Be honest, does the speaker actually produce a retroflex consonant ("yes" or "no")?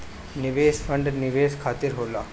yes